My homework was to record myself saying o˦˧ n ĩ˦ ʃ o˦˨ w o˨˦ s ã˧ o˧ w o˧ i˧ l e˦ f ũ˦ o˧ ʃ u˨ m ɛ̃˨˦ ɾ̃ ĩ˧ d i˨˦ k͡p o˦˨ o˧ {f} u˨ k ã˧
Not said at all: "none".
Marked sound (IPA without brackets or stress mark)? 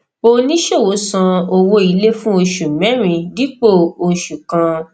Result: ʃ